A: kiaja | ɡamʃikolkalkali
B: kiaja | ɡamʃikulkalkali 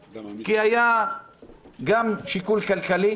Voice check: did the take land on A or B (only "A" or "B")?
B